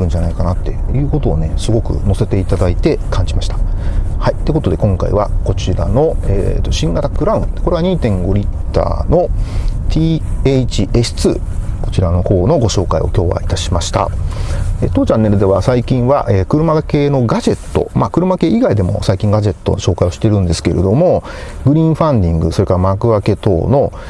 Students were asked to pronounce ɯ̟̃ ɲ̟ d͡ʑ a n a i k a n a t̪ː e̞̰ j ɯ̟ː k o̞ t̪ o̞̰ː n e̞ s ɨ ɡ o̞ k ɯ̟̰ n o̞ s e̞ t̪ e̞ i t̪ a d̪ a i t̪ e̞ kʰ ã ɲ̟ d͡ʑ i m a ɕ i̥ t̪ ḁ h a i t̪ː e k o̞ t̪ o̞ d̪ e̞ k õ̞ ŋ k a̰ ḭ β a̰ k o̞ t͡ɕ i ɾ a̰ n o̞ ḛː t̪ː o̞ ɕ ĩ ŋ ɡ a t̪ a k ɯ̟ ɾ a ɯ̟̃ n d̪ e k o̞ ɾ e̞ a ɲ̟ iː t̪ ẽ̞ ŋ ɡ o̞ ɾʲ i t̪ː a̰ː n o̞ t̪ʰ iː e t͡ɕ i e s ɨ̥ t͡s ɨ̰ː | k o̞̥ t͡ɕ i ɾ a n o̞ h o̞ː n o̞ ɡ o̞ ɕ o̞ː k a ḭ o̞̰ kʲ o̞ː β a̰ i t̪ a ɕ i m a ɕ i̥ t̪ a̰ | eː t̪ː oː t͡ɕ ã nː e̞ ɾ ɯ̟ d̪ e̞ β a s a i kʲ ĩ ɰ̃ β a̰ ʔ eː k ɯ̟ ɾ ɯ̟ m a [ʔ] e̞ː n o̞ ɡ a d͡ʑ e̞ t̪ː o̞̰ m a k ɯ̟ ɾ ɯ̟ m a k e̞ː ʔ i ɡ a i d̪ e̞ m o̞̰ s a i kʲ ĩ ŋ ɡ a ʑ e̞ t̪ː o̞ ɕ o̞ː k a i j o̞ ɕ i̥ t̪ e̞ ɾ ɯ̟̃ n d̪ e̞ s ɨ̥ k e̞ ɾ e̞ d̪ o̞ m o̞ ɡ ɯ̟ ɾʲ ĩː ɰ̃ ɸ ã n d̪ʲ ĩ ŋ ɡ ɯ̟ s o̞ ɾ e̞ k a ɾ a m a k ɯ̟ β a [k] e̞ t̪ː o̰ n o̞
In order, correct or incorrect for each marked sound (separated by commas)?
incorrect, correct